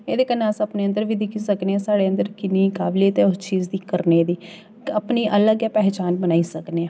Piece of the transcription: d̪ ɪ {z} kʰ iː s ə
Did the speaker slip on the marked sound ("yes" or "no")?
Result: yes